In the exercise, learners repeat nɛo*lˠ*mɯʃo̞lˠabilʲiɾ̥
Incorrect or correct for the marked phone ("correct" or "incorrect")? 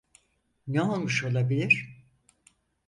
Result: correct